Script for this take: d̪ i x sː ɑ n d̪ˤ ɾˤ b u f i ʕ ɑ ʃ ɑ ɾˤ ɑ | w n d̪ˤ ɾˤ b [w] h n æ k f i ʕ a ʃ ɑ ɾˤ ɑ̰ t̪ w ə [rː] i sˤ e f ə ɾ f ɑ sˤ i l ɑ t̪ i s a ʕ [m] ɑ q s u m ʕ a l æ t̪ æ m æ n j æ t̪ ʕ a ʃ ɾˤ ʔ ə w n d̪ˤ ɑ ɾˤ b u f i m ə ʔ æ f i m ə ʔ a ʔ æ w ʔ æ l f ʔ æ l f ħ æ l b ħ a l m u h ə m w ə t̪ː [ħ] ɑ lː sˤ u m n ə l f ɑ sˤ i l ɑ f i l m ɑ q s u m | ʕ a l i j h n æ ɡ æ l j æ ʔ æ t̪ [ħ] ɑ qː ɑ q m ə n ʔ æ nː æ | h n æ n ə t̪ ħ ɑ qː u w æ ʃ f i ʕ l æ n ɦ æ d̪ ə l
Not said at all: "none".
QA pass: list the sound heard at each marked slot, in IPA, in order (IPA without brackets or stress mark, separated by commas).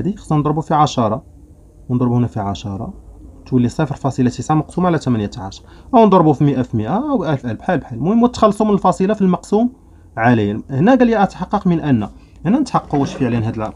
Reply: u, lː, m, x, ħ